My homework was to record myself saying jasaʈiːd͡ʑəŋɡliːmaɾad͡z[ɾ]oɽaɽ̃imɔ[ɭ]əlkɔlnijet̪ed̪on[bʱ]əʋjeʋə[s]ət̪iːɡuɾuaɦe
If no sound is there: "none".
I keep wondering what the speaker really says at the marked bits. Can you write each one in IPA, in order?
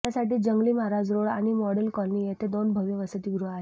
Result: ɾ, ɽ, bʱ, s

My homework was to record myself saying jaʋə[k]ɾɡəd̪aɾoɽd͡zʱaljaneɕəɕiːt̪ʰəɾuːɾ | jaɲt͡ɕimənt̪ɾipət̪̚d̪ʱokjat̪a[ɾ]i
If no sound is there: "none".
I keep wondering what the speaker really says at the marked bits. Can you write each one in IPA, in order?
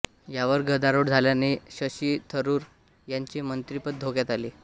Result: none, l

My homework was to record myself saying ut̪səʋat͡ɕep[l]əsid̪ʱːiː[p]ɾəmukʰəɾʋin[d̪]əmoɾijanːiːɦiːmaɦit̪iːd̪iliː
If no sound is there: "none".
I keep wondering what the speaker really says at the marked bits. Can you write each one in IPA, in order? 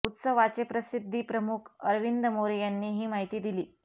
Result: ɾ, p, d̪

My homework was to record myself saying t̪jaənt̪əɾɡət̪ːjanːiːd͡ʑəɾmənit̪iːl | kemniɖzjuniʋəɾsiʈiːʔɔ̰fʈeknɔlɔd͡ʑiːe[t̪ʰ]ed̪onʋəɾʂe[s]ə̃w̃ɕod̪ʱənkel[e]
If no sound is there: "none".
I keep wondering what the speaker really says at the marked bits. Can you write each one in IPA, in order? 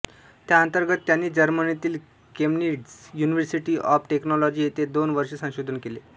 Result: t̪, s, e

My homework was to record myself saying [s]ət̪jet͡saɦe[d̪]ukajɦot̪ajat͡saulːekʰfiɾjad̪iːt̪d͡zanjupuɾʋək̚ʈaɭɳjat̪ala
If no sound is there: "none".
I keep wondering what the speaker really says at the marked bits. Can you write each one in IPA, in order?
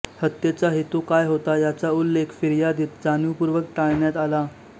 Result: h, t̪

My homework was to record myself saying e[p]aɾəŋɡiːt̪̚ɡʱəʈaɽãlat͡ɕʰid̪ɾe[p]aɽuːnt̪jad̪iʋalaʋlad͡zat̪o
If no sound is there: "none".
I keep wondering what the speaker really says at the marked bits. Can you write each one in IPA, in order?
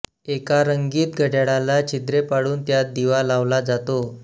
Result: k, p

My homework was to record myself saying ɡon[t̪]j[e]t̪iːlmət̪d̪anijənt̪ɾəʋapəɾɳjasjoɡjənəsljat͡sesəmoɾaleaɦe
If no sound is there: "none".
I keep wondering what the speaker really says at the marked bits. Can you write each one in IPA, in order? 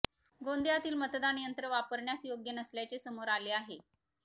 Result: d̪, a

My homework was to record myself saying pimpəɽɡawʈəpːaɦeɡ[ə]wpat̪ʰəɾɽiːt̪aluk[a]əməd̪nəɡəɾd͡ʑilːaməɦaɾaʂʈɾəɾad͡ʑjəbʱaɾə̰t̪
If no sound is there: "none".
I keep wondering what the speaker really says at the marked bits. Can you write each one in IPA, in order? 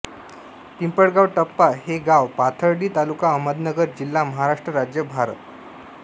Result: a, a

